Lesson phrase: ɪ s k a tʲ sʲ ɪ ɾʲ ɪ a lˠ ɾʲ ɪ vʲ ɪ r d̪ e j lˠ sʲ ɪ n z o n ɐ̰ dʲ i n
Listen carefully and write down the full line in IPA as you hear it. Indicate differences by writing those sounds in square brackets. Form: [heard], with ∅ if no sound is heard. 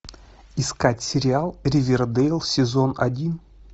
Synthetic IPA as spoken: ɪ s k a tʲ sʲ ɪ ɾʲ ɪ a lˠ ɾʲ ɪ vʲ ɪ r d̪ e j lˠ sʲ ɪ [∅] z o n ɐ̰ dʲ i n